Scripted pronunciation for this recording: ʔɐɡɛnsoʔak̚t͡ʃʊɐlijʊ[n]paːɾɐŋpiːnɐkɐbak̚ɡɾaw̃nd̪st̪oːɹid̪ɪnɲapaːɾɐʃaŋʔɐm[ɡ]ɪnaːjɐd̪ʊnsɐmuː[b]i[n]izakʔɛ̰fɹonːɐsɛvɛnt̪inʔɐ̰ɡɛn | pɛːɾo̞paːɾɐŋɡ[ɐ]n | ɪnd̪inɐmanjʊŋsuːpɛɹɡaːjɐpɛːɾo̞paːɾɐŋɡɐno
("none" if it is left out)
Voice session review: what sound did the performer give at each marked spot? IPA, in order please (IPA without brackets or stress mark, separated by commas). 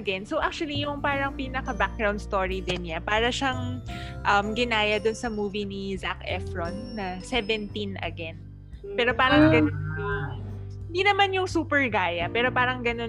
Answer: ŋ, ɡ, v, n, ɐ